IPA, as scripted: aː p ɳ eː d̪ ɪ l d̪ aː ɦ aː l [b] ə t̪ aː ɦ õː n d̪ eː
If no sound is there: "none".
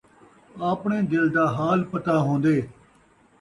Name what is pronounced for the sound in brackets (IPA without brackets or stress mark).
p